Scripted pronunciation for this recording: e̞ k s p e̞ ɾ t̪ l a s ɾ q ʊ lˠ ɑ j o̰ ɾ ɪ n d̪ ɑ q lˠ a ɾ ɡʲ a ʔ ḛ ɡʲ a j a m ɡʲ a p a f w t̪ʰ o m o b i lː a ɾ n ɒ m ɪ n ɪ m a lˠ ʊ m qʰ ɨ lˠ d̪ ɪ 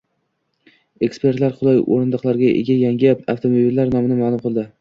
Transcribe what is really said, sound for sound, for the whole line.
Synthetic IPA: e̞ k s p e̞ ɾ t̪ l a ɾ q ʊ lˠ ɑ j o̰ ɾ ɪ n d̪ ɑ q lˠ a ɾ ɡʲ a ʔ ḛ ɡʲ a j a ŋ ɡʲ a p a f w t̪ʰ o m o b i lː a ɾ n ɒ m ɪ n ɪ m a lˠ ʊ m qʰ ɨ lˠ d̪ ɪ